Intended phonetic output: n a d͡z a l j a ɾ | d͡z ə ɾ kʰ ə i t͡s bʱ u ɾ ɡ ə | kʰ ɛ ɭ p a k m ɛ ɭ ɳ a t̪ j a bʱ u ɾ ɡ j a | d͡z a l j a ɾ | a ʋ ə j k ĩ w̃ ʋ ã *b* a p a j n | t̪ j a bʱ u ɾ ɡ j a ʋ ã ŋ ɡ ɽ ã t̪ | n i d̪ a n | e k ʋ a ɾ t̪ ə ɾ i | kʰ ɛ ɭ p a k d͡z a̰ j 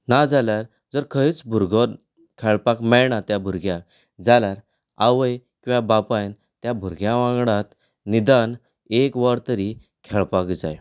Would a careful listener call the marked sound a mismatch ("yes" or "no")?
no